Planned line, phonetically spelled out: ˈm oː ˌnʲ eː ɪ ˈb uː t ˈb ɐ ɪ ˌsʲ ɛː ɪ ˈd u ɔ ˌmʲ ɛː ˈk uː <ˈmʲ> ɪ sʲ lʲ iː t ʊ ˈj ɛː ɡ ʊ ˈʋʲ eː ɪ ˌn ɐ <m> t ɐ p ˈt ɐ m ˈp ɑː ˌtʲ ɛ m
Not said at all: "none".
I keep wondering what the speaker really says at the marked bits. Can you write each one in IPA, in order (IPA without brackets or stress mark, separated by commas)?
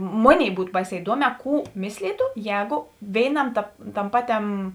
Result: mʲ, m